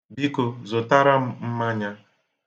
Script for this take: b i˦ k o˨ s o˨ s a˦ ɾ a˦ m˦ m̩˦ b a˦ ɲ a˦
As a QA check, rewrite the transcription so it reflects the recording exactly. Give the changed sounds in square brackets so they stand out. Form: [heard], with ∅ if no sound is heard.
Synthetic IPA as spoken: b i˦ k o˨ [z] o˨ [t] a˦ ɾ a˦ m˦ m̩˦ [m] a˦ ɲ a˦